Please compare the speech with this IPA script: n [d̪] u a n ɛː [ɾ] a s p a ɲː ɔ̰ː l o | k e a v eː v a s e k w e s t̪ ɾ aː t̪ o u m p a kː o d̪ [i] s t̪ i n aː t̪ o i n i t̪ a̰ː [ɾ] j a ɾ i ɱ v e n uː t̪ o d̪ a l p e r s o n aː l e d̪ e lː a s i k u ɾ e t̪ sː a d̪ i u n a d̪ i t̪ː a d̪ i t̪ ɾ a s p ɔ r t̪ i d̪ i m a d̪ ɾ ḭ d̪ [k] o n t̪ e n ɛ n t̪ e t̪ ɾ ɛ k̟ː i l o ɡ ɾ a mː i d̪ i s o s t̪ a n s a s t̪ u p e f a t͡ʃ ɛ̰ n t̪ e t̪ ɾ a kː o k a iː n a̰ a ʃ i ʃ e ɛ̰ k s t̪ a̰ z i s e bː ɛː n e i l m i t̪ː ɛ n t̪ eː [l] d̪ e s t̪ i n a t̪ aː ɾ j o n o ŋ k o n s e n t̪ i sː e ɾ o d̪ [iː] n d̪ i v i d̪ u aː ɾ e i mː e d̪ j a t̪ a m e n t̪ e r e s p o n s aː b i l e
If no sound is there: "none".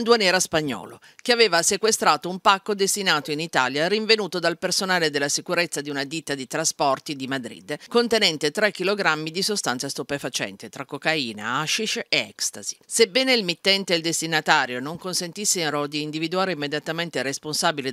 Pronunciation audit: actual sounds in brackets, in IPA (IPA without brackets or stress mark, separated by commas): d̪, ɾ, e, l, k, l, iː